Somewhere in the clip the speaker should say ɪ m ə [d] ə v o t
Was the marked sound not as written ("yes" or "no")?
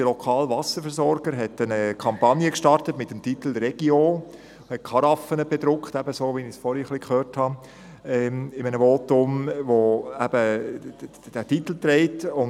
yes